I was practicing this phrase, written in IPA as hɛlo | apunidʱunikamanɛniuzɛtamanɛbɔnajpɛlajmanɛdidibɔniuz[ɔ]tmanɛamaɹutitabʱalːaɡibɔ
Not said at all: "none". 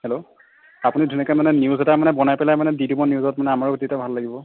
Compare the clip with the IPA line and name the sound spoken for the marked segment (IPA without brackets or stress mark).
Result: ɔ